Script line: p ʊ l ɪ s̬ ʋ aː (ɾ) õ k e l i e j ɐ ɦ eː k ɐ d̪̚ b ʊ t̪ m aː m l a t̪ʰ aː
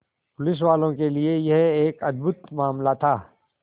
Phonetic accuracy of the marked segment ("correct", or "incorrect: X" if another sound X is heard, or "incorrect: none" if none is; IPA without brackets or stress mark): incorrect: l